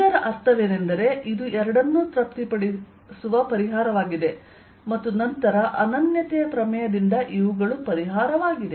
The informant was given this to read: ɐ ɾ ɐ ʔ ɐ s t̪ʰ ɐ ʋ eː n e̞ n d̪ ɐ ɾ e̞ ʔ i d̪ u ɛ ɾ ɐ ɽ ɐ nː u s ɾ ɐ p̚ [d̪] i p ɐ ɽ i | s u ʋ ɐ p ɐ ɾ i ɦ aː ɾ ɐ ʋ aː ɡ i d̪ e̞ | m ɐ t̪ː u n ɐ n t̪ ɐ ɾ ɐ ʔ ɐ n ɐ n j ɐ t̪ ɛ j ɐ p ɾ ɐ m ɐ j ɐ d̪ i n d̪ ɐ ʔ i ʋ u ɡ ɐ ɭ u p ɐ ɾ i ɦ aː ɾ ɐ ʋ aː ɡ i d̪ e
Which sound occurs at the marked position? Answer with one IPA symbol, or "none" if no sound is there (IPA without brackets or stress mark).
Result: t̪